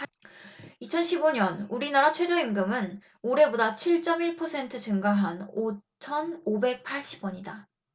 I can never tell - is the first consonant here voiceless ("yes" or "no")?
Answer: yes